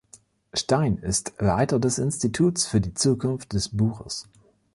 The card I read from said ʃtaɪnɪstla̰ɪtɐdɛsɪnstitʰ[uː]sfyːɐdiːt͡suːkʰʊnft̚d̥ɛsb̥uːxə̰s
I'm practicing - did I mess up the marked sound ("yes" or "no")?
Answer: no